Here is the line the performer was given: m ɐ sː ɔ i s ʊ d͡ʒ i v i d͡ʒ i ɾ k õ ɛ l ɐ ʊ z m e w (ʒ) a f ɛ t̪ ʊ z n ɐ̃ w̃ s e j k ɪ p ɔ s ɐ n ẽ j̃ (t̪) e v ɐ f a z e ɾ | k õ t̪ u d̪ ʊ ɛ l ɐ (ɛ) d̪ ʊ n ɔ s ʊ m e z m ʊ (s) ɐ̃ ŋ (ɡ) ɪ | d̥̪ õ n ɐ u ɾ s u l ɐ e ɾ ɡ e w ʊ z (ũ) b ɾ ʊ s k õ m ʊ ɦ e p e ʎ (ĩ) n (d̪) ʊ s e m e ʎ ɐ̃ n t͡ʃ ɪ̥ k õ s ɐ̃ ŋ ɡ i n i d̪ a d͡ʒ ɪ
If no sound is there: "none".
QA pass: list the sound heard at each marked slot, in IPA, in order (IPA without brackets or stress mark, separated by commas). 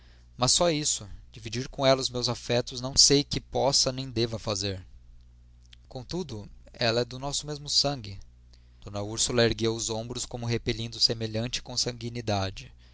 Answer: z, d̪, ɛ, s, ɡ, õ, ĩ, d̪